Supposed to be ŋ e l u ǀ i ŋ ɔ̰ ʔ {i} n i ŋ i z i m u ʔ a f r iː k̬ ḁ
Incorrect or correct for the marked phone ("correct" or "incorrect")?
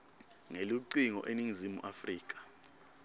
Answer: incorrect